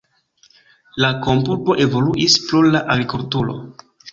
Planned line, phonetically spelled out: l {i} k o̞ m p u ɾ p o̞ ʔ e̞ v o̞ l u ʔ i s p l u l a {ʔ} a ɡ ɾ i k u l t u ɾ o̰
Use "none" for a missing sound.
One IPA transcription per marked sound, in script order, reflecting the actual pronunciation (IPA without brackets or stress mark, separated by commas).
a, ʔ